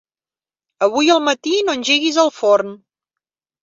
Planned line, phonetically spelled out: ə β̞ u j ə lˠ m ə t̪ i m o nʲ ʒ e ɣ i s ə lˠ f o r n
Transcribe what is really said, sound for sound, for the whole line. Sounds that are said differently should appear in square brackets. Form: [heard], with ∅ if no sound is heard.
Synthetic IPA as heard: ə β̞ u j ə lˠ m ə t̪ i [n] o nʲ ʒ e ɣ i [z] ə lˠ f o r n